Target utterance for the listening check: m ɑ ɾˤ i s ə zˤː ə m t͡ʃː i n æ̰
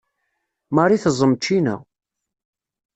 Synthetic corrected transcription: m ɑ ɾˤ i θ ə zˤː ə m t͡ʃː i n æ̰